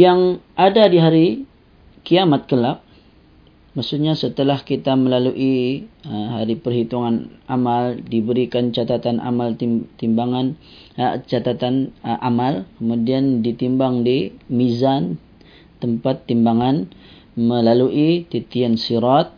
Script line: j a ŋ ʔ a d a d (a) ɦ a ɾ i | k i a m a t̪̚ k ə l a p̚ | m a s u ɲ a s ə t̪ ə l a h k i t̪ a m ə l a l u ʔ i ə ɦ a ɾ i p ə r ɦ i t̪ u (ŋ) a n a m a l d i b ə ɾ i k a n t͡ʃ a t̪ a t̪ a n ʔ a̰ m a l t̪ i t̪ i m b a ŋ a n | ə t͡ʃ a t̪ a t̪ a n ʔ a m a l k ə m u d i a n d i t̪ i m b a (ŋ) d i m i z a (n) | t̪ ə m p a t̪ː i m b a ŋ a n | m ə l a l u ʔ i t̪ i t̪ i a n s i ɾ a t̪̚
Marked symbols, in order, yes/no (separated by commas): no, yes, yes, yes